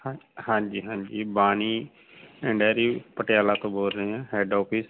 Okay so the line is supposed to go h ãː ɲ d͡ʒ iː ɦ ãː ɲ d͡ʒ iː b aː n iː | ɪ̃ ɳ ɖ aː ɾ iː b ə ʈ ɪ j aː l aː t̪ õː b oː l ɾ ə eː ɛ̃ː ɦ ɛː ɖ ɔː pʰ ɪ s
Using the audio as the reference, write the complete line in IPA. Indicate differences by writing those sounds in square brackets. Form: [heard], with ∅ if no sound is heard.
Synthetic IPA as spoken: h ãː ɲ d͡ʒ iː ɦ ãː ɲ d͡ʒ iː b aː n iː | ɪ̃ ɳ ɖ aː ɾ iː [p] ə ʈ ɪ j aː l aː t̪ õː b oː l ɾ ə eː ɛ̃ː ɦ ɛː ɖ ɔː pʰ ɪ s